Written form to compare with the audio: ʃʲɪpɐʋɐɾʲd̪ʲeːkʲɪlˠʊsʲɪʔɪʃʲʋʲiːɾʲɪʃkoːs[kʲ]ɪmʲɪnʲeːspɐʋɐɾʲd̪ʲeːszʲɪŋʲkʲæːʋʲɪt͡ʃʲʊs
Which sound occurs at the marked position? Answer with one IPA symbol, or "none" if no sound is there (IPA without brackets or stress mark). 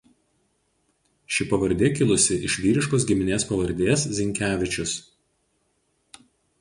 ɡʲ